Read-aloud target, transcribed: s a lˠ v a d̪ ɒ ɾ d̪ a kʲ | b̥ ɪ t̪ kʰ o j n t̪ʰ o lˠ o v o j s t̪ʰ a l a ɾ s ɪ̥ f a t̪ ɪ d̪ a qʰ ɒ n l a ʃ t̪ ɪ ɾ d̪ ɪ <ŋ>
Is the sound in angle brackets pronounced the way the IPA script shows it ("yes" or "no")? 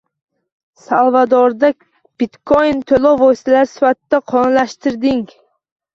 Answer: yes